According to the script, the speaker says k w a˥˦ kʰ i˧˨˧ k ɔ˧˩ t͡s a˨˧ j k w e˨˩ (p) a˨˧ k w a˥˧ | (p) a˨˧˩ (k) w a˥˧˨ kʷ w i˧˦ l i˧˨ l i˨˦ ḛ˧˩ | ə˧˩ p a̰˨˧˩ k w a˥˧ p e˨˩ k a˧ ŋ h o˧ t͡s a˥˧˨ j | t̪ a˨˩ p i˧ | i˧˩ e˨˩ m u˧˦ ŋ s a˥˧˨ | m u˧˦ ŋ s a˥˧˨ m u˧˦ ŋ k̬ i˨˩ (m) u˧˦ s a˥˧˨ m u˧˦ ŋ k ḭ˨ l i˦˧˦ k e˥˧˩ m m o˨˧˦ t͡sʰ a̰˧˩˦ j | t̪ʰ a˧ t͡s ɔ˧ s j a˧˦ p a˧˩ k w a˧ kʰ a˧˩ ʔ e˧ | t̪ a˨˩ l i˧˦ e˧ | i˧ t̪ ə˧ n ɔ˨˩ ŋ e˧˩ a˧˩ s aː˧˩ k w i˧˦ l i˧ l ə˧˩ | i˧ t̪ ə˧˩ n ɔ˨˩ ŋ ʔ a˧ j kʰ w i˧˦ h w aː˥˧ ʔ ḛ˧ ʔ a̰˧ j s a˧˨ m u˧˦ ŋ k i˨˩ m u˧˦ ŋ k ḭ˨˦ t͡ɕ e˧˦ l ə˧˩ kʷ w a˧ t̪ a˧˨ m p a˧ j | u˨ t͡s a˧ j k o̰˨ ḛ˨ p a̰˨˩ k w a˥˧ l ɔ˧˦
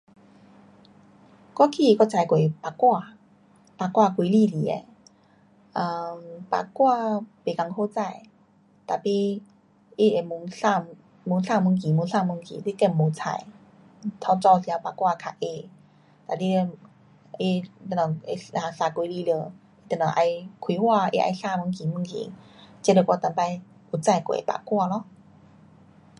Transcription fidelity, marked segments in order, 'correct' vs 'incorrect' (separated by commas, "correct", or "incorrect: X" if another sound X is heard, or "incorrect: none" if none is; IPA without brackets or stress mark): correct, correct, correct, correct